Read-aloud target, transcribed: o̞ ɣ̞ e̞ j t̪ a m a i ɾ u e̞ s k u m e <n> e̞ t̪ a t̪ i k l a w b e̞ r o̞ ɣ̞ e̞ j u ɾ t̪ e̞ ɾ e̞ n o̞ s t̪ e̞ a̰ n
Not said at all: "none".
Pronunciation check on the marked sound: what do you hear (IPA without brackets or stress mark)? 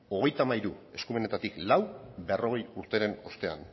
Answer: n